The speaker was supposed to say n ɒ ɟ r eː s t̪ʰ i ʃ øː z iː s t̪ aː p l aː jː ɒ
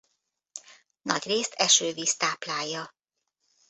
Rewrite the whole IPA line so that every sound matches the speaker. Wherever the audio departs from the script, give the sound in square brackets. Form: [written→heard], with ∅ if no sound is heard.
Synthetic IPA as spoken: n ɒ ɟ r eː s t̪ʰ [i→ɛ] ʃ øː [z→v] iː s t̪ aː p l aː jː ɒ